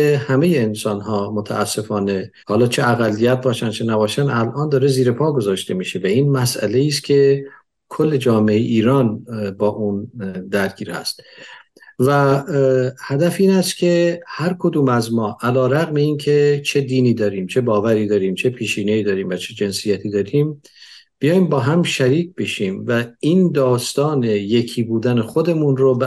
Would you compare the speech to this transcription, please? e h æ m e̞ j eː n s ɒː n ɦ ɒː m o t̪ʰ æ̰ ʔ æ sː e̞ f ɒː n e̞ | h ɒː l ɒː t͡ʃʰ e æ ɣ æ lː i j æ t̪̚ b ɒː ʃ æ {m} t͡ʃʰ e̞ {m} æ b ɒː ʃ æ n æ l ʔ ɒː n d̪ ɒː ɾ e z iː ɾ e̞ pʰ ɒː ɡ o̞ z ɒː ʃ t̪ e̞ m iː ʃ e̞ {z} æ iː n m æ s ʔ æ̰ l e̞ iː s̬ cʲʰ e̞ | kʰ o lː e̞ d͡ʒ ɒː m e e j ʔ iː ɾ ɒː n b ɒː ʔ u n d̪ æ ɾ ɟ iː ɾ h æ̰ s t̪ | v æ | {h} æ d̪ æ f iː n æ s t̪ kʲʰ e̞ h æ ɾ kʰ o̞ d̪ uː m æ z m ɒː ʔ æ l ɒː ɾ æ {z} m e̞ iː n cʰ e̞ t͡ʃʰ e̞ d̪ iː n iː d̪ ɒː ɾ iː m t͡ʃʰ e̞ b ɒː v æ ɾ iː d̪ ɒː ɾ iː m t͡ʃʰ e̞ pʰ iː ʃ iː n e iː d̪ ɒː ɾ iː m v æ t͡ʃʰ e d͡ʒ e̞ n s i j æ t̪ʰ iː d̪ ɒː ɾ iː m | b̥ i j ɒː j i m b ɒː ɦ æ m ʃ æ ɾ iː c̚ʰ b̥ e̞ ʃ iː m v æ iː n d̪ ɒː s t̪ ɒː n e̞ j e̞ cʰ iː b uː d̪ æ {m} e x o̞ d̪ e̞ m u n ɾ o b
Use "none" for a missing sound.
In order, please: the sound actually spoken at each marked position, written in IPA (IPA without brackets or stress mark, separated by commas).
n, n, v, h, ɣ, n